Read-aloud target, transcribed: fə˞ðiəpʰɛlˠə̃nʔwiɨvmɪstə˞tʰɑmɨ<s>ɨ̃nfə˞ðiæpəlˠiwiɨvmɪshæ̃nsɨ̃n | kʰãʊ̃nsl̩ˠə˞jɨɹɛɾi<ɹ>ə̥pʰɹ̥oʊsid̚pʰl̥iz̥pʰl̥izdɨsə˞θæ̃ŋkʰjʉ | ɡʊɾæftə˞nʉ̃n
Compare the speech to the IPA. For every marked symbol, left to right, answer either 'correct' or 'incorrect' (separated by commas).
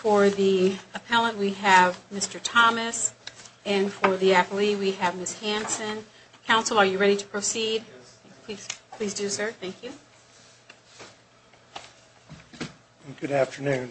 correct, incorrect